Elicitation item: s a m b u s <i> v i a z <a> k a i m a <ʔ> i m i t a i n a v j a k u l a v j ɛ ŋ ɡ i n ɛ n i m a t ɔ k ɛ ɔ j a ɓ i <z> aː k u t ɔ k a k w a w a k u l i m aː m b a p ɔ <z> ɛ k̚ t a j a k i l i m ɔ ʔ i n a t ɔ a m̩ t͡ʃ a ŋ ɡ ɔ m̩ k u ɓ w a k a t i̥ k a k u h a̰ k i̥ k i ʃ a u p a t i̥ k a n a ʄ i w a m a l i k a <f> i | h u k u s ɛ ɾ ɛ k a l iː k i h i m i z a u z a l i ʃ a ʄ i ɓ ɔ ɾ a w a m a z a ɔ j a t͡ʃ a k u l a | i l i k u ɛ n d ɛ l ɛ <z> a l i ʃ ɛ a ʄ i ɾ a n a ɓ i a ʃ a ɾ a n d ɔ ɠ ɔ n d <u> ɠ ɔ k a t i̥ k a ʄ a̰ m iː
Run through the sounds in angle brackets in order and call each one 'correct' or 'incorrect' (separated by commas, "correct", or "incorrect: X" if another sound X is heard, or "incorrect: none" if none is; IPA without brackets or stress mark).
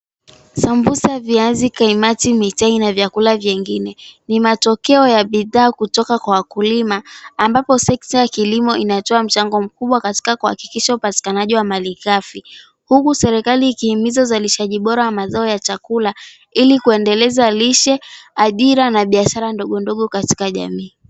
incorrect: a, incorrect: i, incorrect: t, incorrect: ð, incorrect: s, correct, correct, incorrect: ɔ